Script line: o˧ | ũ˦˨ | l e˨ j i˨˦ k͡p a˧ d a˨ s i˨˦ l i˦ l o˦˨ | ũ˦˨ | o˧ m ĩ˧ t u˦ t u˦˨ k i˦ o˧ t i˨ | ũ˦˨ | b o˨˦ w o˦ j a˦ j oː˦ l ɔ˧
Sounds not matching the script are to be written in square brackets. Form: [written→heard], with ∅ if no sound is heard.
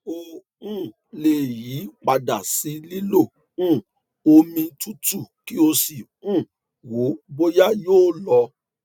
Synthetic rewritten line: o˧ | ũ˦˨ | l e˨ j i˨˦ k͡p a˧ d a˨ s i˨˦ l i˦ l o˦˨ | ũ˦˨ | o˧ m ĩ˧ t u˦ t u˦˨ k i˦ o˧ [t→s] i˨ | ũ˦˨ | [b→w] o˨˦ [w→b] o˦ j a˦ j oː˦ l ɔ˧